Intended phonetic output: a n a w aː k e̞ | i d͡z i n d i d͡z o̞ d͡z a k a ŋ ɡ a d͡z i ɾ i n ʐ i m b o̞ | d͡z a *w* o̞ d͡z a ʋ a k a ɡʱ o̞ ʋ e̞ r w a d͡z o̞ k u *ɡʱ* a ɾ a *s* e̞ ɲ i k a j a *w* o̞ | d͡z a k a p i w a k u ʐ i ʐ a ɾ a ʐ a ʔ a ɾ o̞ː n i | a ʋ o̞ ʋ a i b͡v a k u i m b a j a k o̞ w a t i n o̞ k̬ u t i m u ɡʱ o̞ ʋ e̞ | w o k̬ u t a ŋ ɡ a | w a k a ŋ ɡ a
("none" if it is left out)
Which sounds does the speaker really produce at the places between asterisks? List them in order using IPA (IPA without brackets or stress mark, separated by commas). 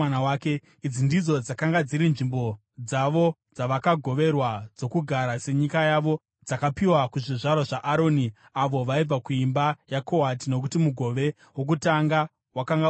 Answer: ʋ, ɡʱ, s, ʋ